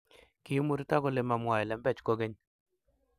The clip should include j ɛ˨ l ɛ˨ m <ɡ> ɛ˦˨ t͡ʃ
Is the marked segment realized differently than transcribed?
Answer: yes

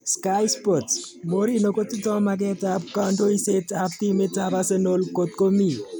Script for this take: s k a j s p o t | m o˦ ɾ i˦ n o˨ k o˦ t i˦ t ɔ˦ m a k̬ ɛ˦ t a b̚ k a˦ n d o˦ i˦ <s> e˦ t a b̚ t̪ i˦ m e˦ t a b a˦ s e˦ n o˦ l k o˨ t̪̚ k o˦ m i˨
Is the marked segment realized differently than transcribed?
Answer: no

